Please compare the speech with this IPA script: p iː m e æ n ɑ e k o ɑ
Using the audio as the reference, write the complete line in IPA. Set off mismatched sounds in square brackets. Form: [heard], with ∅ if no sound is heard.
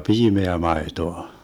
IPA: p iː m e æ [m] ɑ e [t] o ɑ